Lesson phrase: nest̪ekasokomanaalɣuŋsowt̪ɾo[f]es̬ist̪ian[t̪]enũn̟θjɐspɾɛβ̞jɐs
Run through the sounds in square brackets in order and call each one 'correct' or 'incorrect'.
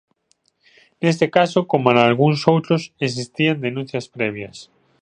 incorrect: s, incorrect: d̪

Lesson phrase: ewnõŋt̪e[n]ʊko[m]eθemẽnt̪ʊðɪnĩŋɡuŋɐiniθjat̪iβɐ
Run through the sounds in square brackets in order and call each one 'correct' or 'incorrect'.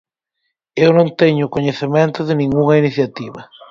incorrect: ɲ, incorrect: ɲ

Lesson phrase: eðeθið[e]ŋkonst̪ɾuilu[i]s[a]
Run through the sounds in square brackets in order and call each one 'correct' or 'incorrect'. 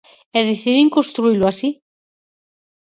incorrect: i, incorrect: a, incorrect: i

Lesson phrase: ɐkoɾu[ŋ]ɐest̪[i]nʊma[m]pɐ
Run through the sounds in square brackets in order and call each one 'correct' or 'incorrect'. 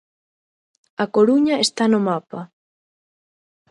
incorrect: ɲ, incorrect: a, incorrect: none

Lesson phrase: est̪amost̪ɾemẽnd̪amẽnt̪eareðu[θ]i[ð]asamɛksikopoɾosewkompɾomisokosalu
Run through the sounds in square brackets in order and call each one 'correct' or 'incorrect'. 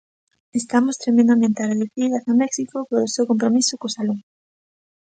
correct, correct

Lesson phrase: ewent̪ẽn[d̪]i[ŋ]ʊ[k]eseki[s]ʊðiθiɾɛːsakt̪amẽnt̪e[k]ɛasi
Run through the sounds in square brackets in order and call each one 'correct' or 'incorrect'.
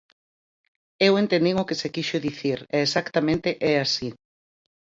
correct, correct, correct, incorrect: ʃ, incorrect: ʔ

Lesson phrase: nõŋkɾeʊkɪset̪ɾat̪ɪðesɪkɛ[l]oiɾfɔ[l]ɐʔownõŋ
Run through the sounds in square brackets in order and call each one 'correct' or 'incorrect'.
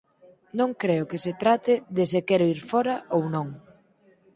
incorrect: ɾ, incorrect: ɾ

